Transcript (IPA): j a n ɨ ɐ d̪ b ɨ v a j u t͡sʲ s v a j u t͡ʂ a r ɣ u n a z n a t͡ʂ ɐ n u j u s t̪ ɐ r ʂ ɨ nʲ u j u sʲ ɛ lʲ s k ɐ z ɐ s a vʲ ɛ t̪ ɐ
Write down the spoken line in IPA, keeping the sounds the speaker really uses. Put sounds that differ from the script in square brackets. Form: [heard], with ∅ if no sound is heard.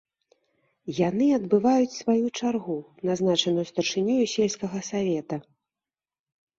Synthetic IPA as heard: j a n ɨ ɐ d̪ b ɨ v a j u t͡sʲ s v a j u t͡ʂ a r ɣ u n a z n a t͡ʂ ɐ n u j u s t̪ ɐ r ʂ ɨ nʲ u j u sʲ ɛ lʲ s k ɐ [ɣ] ɐ s a vʲ ɛ t̪ ɐ